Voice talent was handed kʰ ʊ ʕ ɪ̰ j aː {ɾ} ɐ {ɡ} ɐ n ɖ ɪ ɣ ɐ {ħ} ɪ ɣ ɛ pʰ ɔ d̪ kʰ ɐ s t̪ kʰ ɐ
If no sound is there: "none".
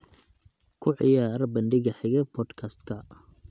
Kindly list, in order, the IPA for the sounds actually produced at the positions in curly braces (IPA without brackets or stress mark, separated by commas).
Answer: ɾ, b, ħ